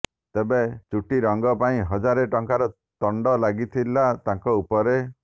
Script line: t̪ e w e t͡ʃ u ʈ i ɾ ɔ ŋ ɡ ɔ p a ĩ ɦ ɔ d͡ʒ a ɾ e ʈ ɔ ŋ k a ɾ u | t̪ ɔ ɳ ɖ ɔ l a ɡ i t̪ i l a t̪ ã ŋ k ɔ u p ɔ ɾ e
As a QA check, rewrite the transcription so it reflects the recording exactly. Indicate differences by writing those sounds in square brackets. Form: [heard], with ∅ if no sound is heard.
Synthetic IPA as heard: t̪ e [b] e t͡ʃ u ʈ i ɾ ɔ ŋ ɡ ɔ p a ĩ ɦ ɔ d͡ʒ a ɾ e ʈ ɔ ŋ k a ɾ [ɔ] | t̪ ɔ ɳ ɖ ɔ l a ɡ i [t̪ʰ] i l a t̪ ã ŋ k ɔ u p ɔ ɾ e